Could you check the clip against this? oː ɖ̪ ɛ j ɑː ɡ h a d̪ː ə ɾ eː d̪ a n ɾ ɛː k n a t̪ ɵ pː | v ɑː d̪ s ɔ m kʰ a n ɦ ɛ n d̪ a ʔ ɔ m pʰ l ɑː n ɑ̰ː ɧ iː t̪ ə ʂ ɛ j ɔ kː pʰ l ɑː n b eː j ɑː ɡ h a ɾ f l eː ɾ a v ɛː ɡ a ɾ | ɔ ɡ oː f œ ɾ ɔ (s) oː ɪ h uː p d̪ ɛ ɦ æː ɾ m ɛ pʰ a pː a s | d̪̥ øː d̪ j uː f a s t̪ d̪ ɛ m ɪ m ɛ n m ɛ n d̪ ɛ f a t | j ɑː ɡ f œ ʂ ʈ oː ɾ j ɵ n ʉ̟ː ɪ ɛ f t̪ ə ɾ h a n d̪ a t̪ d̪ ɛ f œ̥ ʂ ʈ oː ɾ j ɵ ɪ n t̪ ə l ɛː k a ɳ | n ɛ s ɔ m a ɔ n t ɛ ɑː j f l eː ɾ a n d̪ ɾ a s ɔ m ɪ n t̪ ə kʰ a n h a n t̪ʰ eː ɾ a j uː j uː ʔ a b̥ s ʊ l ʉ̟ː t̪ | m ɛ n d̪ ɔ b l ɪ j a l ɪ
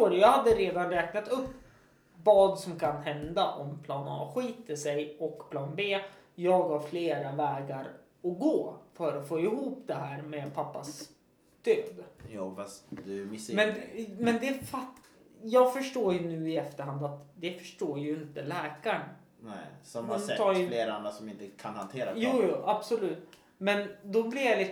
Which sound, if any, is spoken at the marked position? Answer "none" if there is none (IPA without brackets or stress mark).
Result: f